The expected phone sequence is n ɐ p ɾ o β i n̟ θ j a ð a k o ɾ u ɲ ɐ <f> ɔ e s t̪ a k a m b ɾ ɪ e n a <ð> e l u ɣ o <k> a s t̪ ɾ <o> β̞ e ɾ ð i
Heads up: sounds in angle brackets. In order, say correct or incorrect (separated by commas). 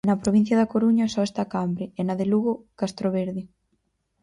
incorrect, correct, correct, correct